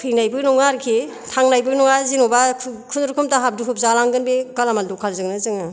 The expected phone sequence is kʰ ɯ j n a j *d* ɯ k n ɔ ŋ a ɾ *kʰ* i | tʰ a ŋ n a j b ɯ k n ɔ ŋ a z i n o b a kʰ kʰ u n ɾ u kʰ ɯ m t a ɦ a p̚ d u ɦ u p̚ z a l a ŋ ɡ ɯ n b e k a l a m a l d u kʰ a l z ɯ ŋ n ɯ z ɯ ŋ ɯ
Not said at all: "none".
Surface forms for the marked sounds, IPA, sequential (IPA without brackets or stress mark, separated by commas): b, kʰ